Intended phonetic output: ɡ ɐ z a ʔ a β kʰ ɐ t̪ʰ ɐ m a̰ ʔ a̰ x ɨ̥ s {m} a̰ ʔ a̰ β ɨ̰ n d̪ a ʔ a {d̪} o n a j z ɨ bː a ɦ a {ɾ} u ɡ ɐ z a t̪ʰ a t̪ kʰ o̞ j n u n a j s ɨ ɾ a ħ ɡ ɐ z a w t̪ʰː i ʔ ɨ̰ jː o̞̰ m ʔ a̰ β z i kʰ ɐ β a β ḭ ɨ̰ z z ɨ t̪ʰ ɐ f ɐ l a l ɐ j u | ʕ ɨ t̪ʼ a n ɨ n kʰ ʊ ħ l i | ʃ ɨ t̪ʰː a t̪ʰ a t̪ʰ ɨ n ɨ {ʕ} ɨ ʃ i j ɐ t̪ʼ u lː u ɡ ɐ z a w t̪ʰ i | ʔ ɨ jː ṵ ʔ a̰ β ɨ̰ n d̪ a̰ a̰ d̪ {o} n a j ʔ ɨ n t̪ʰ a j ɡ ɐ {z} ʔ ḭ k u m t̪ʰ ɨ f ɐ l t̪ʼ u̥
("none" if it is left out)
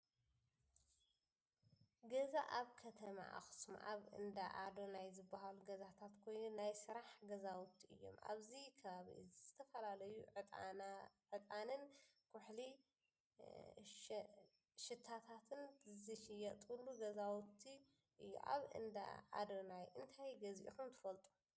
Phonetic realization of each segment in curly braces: m, d̪, l, z, o, z

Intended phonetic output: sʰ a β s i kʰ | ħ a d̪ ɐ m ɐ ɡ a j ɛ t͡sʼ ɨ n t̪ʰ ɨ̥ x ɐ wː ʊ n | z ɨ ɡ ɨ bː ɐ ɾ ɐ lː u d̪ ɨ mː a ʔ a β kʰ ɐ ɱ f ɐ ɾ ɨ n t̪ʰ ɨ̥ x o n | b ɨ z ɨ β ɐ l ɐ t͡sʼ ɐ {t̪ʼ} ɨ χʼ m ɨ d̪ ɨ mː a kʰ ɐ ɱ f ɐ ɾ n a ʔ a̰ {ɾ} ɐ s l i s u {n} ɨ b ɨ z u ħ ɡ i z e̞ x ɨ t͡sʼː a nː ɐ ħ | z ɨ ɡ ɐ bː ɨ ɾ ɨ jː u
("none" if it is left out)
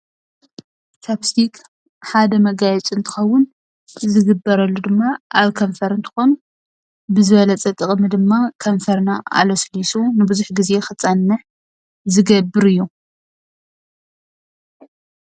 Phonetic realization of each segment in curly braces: t̪ʼ, l, n

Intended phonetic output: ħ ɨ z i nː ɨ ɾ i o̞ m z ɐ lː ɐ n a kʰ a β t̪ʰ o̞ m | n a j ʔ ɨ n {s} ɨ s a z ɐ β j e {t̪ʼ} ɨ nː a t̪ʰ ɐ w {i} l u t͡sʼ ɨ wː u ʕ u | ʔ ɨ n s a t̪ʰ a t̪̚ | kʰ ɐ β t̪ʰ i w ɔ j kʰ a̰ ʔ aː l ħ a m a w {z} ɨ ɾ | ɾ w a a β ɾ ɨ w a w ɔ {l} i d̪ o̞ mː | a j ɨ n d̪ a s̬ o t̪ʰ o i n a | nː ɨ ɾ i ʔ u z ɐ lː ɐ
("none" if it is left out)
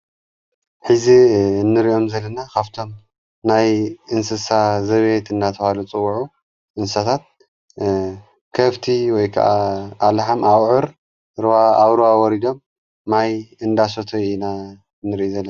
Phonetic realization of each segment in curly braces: s, t̪, a, ʕ, ɾ

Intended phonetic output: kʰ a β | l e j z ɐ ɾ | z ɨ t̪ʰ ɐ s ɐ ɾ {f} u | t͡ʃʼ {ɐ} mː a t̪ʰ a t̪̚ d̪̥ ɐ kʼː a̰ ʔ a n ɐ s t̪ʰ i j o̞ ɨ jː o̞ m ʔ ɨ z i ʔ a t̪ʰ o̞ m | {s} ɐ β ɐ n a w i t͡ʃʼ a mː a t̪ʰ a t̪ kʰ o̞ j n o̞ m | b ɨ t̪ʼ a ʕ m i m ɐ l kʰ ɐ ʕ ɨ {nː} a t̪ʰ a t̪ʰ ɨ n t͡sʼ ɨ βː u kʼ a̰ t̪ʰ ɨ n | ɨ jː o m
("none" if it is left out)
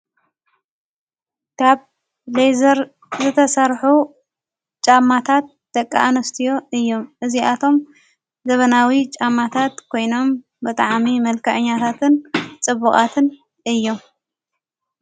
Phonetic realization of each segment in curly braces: ħ, a, z, ɲː

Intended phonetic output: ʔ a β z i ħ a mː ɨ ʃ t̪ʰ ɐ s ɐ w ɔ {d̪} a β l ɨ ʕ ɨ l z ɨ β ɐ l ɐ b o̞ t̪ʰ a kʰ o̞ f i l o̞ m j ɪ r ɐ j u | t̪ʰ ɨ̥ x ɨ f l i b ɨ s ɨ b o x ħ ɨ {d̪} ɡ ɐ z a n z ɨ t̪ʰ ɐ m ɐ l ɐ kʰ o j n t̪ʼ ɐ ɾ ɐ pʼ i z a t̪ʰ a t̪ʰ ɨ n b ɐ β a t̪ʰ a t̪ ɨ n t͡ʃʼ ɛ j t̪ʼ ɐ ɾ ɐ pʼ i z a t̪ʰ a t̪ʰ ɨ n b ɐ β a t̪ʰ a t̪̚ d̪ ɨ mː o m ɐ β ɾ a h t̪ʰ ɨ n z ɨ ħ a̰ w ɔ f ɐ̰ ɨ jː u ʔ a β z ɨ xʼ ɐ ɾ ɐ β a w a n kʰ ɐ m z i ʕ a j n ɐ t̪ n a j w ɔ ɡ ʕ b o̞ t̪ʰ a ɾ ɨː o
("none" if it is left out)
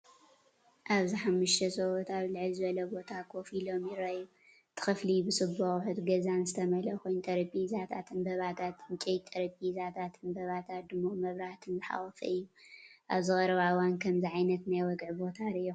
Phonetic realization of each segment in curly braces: t̪, t̪

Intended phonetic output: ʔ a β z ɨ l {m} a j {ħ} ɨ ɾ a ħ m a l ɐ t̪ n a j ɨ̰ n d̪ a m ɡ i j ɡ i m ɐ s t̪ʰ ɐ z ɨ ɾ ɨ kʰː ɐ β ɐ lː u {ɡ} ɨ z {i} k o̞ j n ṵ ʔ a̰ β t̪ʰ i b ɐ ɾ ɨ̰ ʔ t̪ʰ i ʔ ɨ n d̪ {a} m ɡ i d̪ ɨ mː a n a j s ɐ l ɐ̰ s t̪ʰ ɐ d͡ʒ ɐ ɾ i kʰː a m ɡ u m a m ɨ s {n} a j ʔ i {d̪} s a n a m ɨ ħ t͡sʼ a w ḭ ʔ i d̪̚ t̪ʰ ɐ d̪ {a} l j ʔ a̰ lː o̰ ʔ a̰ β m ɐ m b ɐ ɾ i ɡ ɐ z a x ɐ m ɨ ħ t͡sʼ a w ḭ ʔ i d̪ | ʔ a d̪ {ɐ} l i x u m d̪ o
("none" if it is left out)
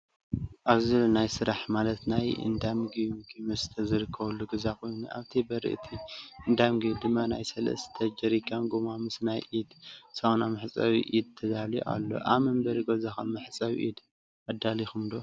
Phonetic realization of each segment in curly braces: n, s, ɡ, a, a, n, d̪, a, a

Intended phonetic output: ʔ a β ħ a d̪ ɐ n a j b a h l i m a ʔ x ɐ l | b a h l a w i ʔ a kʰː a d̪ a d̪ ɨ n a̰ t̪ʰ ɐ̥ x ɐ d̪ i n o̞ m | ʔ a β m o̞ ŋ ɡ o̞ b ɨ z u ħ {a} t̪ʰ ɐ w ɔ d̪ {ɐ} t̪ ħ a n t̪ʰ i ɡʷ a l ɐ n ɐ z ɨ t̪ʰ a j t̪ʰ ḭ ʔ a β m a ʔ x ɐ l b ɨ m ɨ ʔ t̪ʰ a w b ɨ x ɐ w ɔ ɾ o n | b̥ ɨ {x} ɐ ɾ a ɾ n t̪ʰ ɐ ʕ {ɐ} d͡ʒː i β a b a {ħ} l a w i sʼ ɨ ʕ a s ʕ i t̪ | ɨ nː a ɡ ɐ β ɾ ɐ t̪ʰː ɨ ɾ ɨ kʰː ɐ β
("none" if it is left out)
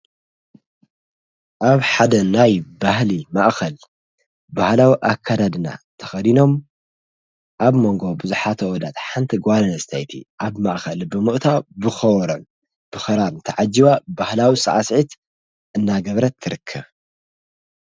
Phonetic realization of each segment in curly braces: a, a, x, a, h

